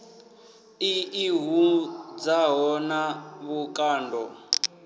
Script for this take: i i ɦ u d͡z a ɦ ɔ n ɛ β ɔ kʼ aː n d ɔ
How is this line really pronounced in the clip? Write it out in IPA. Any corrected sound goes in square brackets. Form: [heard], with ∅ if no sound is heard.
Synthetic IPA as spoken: i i ɦ u d͡z a ɦ ɔ n [a] β [u] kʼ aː n d ɔ